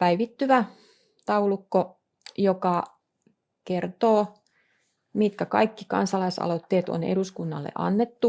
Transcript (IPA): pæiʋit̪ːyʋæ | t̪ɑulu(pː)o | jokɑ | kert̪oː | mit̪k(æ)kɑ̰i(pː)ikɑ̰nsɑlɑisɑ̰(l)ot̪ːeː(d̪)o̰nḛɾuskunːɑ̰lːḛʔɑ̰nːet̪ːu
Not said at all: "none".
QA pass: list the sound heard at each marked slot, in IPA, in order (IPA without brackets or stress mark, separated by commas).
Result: kː, æ, kː, l, t̪